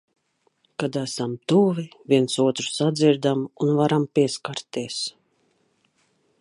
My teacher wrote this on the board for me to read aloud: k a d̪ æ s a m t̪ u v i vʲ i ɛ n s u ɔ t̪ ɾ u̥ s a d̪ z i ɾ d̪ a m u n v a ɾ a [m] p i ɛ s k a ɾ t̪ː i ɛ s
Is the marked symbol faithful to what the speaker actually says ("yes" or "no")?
yes